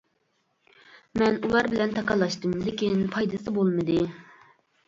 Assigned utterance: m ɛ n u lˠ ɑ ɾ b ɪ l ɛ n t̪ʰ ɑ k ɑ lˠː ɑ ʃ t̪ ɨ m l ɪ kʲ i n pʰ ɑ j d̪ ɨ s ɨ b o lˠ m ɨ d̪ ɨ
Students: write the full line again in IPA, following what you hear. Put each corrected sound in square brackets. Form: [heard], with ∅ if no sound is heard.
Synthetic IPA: m ɛ n u lˠ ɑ ɾ b ɪ l ɛ n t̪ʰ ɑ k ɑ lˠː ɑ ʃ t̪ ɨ m l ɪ kʲ i n pʰ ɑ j d̪ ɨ s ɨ b o lˠ m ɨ d̪ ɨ